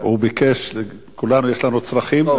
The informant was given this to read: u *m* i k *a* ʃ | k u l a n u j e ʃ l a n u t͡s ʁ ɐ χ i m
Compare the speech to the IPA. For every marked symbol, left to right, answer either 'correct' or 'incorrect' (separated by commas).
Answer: incorrect, incorrect